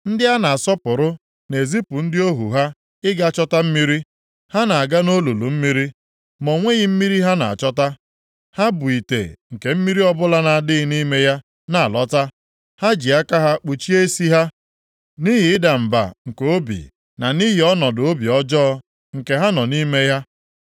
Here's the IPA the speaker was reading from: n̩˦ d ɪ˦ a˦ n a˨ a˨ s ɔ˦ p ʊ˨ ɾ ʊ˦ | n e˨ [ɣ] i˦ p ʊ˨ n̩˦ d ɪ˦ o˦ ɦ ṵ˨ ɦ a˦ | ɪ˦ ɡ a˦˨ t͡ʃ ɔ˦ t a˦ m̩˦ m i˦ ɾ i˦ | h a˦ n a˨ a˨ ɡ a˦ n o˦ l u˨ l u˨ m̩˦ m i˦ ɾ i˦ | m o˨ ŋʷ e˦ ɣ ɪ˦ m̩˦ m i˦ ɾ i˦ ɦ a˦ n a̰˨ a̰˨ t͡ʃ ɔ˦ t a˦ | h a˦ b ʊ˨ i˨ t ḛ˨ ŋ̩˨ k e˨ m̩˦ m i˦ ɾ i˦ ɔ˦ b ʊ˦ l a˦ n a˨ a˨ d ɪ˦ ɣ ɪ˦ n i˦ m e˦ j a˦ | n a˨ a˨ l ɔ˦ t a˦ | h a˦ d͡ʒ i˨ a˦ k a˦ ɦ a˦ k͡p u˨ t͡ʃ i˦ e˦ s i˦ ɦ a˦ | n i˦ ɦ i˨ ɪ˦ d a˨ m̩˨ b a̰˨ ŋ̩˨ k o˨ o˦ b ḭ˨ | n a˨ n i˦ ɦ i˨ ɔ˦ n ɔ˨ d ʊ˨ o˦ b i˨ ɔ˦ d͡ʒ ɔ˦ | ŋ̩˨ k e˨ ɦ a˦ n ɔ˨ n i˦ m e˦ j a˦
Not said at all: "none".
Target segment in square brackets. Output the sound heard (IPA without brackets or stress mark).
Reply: z